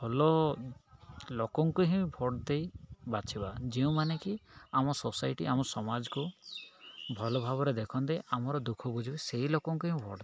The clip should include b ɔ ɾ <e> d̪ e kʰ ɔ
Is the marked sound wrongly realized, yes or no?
no